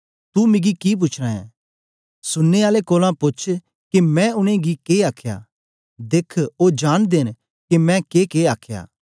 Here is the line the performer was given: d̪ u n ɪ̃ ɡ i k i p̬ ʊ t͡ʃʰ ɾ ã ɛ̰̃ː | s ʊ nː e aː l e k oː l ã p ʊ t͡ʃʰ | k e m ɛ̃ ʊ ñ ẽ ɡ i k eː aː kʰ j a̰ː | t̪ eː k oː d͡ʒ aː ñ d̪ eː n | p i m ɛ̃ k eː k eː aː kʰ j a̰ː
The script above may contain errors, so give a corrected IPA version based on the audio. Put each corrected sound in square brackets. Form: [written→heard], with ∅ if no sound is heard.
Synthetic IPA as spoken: [d̪→t̪] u [n→m] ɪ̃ ɡ i k i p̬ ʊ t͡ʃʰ ɾ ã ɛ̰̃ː | s ʊ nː e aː l e k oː l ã p ʊ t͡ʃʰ | k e m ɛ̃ ʊ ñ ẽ ɡ i k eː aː kʰ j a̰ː | [t̪→d̪] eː [k→kʰ] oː d͡ʒ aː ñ d̪ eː n | [p→k] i m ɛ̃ k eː k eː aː kʰ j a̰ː